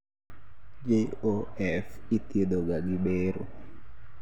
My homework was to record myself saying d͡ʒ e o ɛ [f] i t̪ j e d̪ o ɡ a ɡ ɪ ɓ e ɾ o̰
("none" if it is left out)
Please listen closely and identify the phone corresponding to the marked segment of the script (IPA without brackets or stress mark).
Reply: f